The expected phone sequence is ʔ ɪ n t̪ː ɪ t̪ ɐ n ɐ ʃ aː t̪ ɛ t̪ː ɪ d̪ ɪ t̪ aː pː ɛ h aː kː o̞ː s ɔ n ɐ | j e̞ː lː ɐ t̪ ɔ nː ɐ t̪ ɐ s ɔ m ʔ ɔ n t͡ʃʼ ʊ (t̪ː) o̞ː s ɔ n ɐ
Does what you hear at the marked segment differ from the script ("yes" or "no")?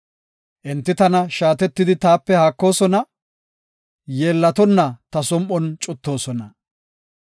no